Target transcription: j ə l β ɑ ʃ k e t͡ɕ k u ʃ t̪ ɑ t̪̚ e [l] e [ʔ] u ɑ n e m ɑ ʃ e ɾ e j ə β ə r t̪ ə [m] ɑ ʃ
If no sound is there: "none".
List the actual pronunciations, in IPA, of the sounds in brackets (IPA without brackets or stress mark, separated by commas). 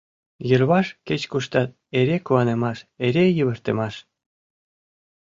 ɾ, k, m